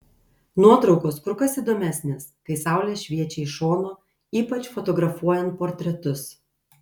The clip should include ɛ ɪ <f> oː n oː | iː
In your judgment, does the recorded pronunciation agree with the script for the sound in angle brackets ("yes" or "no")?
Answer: no